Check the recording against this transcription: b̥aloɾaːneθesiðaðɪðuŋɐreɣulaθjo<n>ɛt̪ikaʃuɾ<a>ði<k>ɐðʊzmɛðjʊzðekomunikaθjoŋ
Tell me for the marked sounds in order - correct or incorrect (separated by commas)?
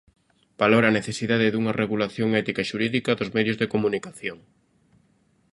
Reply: incorrect, incorrect, correct